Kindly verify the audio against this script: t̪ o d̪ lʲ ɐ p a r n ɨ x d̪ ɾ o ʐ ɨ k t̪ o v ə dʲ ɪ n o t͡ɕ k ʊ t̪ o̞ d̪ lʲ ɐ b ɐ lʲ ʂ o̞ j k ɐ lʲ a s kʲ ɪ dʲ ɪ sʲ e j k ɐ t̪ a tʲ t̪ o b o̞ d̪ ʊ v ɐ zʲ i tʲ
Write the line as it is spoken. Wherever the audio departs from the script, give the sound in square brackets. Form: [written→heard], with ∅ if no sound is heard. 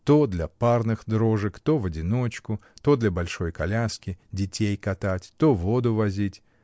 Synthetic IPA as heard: t̪ o d̪ lʲ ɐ p a r n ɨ x d̪ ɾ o ʐ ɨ k t̪ o v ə dʲ ɪ n o t͡ɕ k ʊ t̪ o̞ d̪ lʲ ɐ b ɐ lʲ ʂ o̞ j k ɐ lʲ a s kʲ ɪ dʲ ɪ [sʲ→tʲ] e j k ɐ t̪ a tʲ t̪ o [b→v] o̞ d̪ ʊ v ɐ zʲ i tʲ